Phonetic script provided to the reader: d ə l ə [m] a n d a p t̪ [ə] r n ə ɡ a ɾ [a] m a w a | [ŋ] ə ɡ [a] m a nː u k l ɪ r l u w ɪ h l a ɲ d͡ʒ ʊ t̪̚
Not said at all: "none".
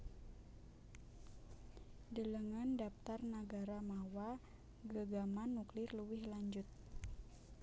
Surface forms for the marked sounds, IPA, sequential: ŋ, a, a, ɡ, a

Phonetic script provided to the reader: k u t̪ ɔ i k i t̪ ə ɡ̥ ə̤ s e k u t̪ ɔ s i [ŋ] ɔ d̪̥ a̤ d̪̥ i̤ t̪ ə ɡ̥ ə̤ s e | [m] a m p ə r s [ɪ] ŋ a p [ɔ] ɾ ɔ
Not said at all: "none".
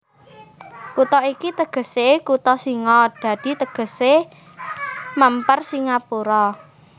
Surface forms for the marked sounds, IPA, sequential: ŋ, m, i, u

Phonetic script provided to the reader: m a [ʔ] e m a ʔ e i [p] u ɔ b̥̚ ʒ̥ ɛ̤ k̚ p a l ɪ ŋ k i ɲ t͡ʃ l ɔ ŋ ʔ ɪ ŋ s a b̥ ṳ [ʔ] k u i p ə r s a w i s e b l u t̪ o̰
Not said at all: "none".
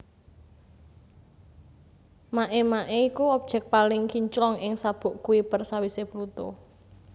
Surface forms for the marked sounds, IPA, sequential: ʔ, k, ʔ

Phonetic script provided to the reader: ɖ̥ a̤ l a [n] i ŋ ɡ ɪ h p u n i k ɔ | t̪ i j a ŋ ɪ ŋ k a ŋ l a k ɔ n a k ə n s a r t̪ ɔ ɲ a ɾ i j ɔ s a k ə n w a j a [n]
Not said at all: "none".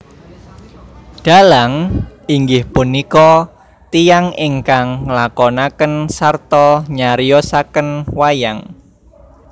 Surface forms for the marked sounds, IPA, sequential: ŋ, ŋ

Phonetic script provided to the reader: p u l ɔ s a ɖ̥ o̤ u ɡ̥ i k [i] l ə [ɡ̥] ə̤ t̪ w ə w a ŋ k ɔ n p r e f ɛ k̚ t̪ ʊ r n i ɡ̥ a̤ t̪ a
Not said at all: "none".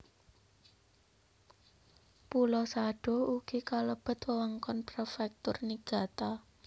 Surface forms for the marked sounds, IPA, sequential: a, b̥

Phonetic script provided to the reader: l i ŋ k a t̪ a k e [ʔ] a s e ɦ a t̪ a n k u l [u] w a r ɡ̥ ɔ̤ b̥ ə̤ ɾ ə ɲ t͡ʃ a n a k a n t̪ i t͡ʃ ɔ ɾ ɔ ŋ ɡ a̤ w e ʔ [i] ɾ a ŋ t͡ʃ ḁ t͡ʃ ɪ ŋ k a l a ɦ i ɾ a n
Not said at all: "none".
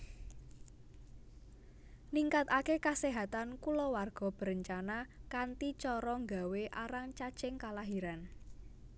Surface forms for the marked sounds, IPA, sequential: k, ɔ, a

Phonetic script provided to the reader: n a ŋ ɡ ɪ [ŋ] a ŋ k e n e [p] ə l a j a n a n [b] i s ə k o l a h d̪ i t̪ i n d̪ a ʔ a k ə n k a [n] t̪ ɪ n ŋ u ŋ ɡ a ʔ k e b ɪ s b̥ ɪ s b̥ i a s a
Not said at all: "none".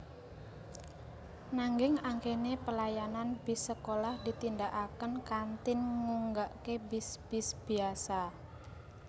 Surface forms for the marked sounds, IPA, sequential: ŋ, p, b, n

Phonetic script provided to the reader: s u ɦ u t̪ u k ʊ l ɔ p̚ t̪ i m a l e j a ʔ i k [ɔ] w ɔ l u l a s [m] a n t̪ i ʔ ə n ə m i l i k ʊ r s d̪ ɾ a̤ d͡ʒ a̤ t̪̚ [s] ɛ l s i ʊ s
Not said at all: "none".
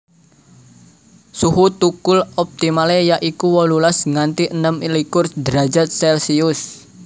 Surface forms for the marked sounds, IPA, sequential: u, ŋ, s

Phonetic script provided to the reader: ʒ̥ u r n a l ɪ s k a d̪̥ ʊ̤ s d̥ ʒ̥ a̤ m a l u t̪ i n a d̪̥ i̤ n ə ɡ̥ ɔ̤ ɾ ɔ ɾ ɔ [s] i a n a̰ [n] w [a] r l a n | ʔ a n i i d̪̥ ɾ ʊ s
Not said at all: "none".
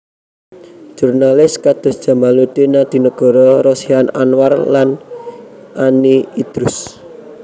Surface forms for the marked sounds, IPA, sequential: s, n, a

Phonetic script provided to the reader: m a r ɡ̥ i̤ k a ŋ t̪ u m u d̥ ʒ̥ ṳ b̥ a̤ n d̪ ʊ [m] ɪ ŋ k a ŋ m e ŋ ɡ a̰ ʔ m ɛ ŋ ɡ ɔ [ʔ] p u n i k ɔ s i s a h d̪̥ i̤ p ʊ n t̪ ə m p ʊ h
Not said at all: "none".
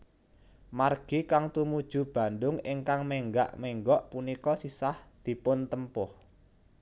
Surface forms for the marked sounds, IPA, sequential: ŋ, ʔ

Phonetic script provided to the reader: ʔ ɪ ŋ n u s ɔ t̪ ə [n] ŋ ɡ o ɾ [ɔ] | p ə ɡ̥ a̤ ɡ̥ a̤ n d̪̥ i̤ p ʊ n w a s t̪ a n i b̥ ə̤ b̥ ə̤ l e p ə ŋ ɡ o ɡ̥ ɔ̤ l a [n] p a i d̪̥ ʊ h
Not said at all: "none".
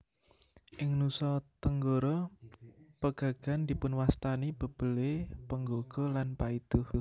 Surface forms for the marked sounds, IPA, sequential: none, ɔ, n

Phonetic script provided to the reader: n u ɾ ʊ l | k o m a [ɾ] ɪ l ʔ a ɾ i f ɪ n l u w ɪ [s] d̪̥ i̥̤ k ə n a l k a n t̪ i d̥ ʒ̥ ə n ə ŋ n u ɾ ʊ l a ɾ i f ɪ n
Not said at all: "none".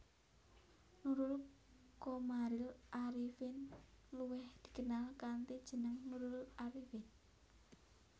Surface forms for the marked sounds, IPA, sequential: ɾ, h

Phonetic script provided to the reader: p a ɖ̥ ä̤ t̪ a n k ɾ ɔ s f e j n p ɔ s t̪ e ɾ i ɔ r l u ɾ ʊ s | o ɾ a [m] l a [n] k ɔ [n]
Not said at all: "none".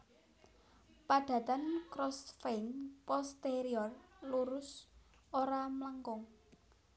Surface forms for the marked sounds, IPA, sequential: m, ŋ, ŋ

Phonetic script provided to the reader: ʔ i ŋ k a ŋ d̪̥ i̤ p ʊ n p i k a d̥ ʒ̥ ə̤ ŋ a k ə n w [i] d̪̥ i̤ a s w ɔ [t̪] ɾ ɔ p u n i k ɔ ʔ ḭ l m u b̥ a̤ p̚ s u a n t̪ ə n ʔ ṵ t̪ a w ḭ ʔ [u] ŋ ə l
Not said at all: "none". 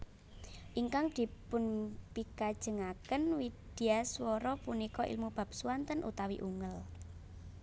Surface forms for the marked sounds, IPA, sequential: i, none, u

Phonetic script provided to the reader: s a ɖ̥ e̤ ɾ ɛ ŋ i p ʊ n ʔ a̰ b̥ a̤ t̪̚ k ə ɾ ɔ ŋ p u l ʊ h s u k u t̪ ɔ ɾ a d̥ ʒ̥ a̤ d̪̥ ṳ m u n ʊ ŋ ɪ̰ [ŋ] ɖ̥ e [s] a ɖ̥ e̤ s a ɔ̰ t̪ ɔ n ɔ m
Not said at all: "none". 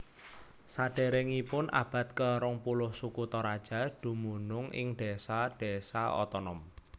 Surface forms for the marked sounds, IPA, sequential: ŋ, s

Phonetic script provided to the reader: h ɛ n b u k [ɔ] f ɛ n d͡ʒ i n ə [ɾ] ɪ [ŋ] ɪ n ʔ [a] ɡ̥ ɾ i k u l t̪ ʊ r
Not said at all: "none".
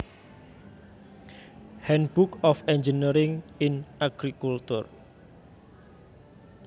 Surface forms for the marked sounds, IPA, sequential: ɔ, ɾ, ŋ, a

